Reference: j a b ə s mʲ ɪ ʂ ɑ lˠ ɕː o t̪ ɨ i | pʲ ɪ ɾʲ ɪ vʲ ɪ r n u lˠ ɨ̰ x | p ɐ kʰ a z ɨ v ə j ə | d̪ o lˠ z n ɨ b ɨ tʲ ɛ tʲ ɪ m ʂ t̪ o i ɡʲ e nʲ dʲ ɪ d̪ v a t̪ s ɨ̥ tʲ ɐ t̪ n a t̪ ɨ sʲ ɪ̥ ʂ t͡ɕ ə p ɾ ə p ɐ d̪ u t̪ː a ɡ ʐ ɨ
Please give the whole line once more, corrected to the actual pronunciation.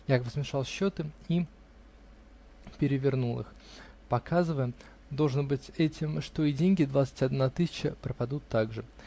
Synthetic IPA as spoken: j a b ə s mʲ ɪ ʂ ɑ lˠ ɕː o t̪ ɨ i | pʲ ɪ ɾʲ ɪ vʲ ɪ r n u lˠ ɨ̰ x | p ɐ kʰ a z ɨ v ə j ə | d̪ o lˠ ʐ n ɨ b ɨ tʲ ɛ tʲ ɪ m ʂ t̪ o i dʲ e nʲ ɡʲ ɪ d̪ v a t̪ s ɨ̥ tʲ ɐ d̪ n a t̪ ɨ sʲ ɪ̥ t͡ɕ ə p ɾ ə p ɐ d̪ u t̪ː a ɡ ʐ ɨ

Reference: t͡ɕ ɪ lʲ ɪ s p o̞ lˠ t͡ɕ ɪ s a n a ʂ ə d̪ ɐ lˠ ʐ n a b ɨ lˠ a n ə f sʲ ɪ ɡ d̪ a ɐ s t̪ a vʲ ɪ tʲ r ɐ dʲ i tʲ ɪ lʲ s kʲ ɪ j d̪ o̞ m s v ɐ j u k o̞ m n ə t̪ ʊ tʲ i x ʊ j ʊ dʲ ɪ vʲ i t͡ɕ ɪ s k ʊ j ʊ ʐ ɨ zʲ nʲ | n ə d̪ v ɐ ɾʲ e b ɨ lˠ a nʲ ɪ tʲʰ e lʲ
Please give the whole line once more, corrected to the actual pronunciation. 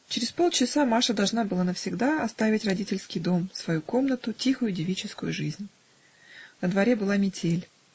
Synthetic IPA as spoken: t͡ɕ ɪ ɾʲ ɪ s p o̞ lˠ t͡ɕ ɪ s a m a ʂ ə d̪ ɐ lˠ ʐ n a b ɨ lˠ a n ə f sʲ ɪ ɡ d̪ a ɐ s t̪ a vʲ ɪ tʲ r ɐ dʲ i tʲ ɪ lʲ s kʲ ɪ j d̪ o̞ m s v ɐ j u k o̞ m n ə t̪ ʊ tʲ i x ʊ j ʊ dʲ ɪ vʲ i t͡ɕ ɪ s k ʊ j ʊ ʐ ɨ zʲ nʲ | n ə d̪ v ɐ ɾʲ e b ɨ lˠ a mʲ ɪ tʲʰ e lʲ

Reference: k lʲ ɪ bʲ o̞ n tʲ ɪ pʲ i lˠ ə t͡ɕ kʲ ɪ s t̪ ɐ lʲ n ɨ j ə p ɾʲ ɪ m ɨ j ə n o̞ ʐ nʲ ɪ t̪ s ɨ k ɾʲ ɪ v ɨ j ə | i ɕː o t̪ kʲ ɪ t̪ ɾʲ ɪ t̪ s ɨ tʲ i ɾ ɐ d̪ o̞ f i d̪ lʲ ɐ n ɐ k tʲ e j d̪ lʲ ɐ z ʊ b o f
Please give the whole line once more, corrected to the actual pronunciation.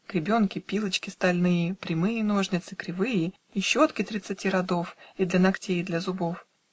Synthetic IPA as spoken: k ɾʲ ɪ bʲ o̞ n kʲ ɪ pʲ i lˠ ə t͡ɕ kʲ ɪ s t̪ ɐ lʲ n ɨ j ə p ɾʲ ɪ m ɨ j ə n o̞ ʐ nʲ ɪ t̪ s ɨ k ɾʲ ɪ v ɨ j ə | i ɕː o t̪ kʲ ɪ t̪ ɾʲ ɪ t̪ s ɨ tʲ i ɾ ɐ d̪ o̞ f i d̪ lʲ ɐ n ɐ k tʲ e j d̪ lʲ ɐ z ʊ b o f

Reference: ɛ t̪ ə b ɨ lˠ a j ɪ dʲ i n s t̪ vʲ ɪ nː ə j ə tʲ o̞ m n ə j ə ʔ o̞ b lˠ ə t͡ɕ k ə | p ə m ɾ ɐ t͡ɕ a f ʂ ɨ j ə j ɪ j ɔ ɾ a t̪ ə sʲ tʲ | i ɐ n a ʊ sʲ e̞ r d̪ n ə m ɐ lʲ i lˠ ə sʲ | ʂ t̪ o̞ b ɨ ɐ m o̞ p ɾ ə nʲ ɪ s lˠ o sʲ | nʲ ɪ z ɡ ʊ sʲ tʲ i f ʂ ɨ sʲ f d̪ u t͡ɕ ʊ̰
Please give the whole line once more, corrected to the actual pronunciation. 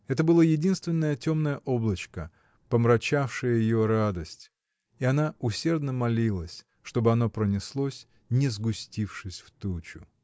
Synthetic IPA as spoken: ɛ t̪ ə b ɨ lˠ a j ɪ dʲ i n s t̪ vʲ ɪ nː ə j ə tʲ o̞ m n ə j ə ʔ o̞ b lˠ ə t͡ɕ k ə | p ə m ɾ ɐ t͡ɕ a f ʂ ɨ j ə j ɪ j o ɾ a d̪ ə sʲ tʲ | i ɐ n a ʊ sʲ e̞ r d̪ n ə m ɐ lʲ i lˠ ə sʲ | ʂ t̪ o̞ b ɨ ɐ n o̞ p ɾ ə nʲ ɪ s lˠ o sʲ | nʲ ɪ z ɡ ʊ sʲ tʲ i f ʂ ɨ sʲ f t̪ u t͡ɕ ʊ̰

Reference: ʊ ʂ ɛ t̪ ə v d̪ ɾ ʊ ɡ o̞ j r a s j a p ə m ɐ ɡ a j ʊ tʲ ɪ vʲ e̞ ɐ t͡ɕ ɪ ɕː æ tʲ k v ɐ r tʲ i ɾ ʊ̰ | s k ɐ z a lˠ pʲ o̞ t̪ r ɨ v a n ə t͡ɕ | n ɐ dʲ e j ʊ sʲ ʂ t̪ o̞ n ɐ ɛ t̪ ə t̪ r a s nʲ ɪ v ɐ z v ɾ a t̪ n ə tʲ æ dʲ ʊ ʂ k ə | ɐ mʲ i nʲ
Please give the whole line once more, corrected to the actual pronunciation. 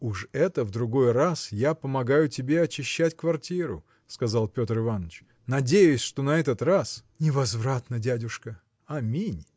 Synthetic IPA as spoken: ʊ ʂ ɛ t̪ ə v d̪ ɾ ʊ ɡ o̞ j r a s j a p ə m ɐ ɡ a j ʊ tʲ ɪ bʲ e̞ ɐ t͡ɕ ɪ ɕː æ tʲ k v ɐ r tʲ i ɾ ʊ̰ | s k ɐ z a lˠ pʲ o̞ t̪ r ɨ v a n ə t͡ɕ | n ɐ dʲ e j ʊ sʲ ʂ t̪ o̞ n ɐ ɛ t̪ ə t̪ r a s nʲ ɪ v ɐ z v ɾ a t̪ n ə dʲ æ dʲ ʊ ʂ k ə | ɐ mʲ i nʲ

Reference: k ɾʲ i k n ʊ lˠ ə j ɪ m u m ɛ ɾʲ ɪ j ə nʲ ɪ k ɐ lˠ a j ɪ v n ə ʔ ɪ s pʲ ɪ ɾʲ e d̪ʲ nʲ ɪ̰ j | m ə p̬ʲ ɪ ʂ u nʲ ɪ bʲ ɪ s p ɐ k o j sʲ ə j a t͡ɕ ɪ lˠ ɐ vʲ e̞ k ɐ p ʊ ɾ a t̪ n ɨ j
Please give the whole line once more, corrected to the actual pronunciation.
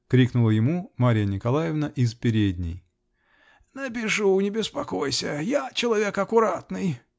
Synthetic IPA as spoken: k ɾʲ i k n ʊ lˠ ə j ɪ m u m a ɾʲ ɪ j ə nʲ ɪ k ɐ lˠ a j ɪ v n ə ʔ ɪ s pʲ ɪ ɾʲ e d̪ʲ nʲ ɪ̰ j | n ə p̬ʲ ɪ ʂ u nʲ ɪ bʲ ɪ s p ɐ k o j sʲ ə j a t͡ɕ ɪ lˠ ɐ vʲ e̞ k ɐ k ʊ ɾ a t̪ n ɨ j

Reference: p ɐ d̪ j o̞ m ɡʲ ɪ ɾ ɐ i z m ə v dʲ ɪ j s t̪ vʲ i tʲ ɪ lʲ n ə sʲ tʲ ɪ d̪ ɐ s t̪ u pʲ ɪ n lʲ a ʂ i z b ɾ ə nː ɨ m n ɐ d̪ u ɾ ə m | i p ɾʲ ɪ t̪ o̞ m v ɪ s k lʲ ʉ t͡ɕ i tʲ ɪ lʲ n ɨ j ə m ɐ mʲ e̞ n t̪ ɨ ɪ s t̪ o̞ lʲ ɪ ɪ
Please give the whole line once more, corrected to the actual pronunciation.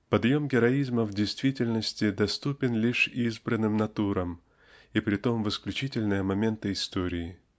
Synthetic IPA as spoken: p ɐ d̪ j o̞ m ɡʲ ɪ ɾ ɐ i z m ə v dʲ ɪ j s t̪ vʲ i tʲ ɪ lʲ n ə sʲ tʲ ɪ d̪ ɐ s t̪ u pʲ ɪ n lʲ i ʂ i z b ɾ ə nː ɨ m n ɐ t̪ u ɾ ə m | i p ɾʲ ɪ t̪ o̞ m v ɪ s k lʲ ʉ t͡ɕ i tʲ ɪ lʲ n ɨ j ə m ɐ mʲ e̞ n t̪ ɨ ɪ s t̪ o̞ ɾʲ ɪ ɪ

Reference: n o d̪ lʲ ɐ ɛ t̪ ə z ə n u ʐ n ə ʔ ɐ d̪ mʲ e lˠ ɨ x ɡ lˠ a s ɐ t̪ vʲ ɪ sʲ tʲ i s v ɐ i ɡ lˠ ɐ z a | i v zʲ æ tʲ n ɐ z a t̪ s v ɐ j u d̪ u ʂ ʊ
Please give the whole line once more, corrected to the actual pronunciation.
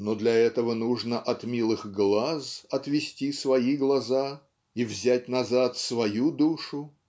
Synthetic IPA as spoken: n o d̪ lʲ ɐ ɛ t̪ ə v ə n u ʐ n ə ʔ ɐ t̪ mʲ i lˠ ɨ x ɡ lˠ a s ɐ t̪ vʲ ɪ sʲ tʲ i s v ɐ i ɡ lˠ ɐ z a | i v zʲ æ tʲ n ɐ z a t̪ s v ɐ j u d̪ u ʂ ʊ

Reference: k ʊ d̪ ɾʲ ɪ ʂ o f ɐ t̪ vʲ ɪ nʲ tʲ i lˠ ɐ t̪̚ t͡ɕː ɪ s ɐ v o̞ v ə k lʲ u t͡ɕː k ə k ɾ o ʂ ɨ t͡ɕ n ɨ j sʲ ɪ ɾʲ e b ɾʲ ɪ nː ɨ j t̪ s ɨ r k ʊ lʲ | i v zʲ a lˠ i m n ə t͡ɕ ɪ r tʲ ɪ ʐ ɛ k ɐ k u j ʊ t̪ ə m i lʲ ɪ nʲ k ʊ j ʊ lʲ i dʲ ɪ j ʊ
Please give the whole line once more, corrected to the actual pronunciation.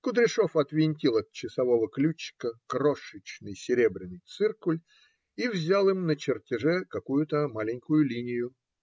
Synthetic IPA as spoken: k ʊ d̪ ɾʲ ɪ ʂ o f ɐ t̪ vʲ ɪ nʲ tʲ i lˠ ɐ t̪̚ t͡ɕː ɪ s ɐ v o̞ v ə k lʲ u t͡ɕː k ə k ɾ o ʂ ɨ t͡ɕ n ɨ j sʲ ɪ ɾʲ e b ɾʲ ɪ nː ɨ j t̪ s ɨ r k ʊ lʲ | i v zʲ a lˠ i m n ə t͡ɕ ɪ r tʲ ɪ ʐ ɛ k ɐ k u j ʊ t̪ ə m a lʲ ɪ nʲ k ʊ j ʊ lʲ i nʲ ɪ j ʊ

